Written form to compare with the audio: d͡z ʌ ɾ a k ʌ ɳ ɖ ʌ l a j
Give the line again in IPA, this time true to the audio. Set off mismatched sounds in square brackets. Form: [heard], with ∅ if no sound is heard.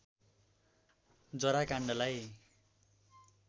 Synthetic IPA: d͡z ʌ ɾ a k [a] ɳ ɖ ʌ l a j